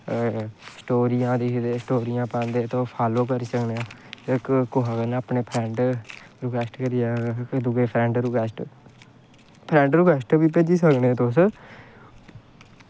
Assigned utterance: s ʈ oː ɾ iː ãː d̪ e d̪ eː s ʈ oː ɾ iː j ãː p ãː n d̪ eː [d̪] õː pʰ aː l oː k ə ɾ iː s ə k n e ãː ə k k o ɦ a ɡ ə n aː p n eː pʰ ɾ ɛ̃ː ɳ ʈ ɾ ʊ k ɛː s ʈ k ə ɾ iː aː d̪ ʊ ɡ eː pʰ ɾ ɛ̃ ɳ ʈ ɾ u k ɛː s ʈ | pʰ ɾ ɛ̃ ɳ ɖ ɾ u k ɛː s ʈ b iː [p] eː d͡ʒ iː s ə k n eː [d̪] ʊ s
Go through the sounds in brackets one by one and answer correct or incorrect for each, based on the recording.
incorrect, correct, incorrect

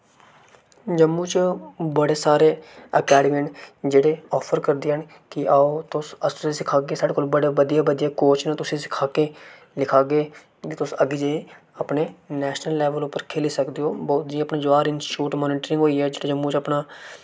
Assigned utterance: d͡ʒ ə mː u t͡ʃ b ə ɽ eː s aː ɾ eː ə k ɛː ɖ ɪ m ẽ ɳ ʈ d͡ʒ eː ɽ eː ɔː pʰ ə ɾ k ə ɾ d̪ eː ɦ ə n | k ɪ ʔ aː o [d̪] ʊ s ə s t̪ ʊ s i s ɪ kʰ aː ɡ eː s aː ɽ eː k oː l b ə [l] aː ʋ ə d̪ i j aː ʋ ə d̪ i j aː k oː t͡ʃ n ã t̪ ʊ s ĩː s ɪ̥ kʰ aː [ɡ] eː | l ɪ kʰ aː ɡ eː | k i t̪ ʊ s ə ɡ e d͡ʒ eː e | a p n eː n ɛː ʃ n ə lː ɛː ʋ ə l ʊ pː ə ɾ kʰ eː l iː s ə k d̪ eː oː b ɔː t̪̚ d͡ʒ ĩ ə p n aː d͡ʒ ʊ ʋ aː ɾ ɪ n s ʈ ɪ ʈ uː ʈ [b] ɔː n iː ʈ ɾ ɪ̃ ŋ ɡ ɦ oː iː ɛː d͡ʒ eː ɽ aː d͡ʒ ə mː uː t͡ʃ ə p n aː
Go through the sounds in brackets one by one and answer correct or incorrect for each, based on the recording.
incorrect, incorrect, incorrect, incorrect

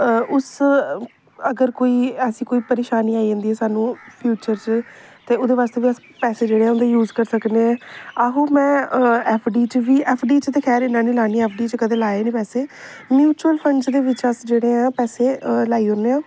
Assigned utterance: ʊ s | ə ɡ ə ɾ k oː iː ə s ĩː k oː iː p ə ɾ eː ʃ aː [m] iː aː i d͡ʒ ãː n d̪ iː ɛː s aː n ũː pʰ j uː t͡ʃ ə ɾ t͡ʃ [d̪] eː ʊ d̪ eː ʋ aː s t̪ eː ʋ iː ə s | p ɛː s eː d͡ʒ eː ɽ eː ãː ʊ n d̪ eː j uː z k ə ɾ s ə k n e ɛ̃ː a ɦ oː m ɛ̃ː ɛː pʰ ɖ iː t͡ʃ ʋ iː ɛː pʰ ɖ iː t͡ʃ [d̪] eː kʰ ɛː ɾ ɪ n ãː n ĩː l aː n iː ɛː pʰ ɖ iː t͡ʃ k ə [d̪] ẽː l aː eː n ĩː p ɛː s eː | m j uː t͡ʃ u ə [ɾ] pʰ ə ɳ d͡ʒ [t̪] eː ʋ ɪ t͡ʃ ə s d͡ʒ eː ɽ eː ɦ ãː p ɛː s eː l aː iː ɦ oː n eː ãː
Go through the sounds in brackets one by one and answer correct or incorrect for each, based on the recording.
incorrect, incorrect, incorrect, correct, incorrect, incorrect

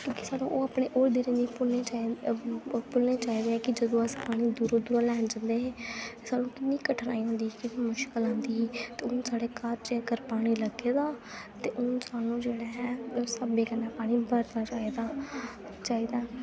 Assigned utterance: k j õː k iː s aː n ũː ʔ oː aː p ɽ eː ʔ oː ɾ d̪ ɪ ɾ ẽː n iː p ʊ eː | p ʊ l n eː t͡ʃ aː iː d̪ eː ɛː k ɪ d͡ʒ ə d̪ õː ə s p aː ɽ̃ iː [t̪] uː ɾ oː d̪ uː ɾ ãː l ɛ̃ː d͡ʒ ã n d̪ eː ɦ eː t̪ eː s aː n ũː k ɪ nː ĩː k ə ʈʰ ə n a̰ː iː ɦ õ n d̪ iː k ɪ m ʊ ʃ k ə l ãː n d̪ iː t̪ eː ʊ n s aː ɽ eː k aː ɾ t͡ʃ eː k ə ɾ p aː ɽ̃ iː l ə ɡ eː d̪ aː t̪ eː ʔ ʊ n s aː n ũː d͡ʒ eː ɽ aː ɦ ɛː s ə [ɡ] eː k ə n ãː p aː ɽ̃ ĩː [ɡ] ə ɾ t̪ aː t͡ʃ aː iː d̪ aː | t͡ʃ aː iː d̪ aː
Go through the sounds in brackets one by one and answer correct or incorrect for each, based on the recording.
incorrect, incorrect, incorrect

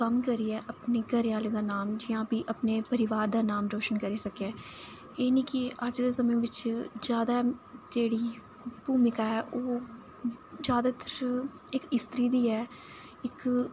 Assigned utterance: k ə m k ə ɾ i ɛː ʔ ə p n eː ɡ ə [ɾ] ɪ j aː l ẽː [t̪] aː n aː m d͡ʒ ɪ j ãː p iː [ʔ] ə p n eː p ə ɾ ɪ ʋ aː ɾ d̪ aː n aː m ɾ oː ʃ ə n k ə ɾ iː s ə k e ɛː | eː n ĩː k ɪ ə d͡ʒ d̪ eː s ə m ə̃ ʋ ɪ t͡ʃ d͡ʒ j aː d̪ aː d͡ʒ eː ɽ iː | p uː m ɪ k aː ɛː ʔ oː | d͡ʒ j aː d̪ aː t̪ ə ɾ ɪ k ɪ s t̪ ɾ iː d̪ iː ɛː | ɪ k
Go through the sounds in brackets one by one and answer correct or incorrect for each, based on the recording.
correct, incorrect, correct

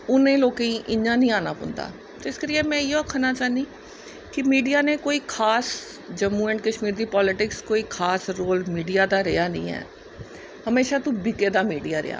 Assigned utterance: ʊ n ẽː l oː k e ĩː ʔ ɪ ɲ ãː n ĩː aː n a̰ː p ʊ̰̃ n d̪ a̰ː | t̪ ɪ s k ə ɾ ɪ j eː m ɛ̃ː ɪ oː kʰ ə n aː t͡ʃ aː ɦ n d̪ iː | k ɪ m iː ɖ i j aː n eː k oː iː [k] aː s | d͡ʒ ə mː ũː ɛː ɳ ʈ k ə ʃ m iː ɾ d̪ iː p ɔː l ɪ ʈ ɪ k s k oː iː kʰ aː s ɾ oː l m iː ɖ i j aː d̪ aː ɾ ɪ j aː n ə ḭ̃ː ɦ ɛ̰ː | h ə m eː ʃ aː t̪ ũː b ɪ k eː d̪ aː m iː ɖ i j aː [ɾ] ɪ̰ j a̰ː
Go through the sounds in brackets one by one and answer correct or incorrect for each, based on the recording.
incorrect, correct

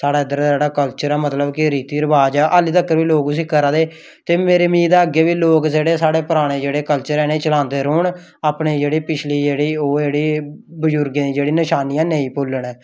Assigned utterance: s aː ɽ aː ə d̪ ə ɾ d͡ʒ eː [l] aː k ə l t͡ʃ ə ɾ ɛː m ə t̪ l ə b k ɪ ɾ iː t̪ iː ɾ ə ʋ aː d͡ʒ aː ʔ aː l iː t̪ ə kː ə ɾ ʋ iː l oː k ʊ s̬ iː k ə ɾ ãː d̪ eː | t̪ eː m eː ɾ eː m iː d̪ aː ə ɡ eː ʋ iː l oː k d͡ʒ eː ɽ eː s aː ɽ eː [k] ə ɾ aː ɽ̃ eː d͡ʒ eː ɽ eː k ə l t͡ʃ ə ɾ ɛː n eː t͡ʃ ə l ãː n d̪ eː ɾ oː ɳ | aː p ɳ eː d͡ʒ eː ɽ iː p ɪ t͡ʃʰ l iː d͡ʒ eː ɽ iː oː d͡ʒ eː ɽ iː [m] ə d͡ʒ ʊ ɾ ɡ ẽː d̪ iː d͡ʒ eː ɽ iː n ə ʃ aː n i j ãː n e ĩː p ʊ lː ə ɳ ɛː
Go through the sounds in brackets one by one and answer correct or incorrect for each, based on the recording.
incorrect, incorrect, incorrect

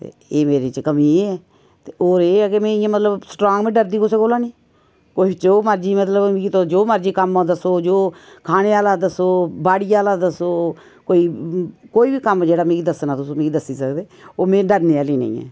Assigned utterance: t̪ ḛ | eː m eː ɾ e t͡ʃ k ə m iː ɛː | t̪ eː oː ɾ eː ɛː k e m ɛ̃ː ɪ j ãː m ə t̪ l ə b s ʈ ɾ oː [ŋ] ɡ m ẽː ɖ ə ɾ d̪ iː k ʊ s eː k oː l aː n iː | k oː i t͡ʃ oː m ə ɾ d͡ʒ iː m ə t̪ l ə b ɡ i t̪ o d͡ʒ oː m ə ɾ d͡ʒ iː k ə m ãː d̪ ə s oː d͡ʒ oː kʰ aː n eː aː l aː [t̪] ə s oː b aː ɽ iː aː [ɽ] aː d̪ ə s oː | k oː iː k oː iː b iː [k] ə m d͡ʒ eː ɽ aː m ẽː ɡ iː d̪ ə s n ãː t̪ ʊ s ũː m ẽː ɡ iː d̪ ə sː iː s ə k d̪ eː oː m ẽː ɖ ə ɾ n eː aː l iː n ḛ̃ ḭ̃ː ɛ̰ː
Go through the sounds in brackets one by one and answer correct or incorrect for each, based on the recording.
correct, incorrect, incorrect, correct

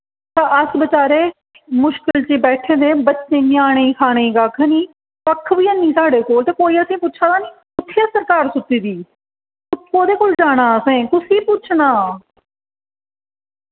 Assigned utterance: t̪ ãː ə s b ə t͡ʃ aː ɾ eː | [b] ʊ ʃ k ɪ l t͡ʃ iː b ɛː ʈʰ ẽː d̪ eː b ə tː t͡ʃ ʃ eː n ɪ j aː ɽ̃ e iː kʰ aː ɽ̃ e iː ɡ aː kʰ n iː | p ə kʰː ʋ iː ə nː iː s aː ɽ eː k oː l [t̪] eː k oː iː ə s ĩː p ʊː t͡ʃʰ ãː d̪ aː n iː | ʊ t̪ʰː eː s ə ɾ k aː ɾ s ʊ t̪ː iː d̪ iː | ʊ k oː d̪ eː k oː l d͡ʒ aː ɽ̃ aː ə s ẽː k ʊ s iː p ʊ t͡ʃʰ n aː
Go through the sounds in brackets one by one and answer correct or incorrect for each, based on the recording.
incorrect, correct

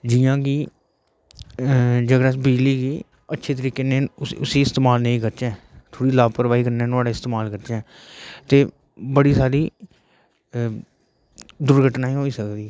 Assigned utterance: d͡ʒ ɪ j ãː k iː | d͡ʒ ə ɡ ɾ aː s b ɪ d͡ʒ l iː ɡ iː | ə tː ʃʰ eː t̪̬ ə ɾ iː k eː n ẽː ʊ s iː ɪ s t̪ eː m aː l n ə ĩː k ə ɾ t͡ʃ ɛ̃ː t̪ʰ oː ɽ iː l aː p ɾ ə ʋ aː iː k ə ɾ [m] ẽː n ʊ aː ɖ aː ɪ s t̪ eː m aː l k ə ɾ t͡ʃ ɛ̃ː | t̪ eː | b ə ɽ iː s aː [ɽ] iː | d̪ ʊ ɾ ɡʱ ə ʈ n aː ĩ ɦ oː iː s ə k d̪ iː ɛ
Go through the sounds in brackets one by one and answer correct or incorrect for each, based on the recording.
incorrect, incorrect

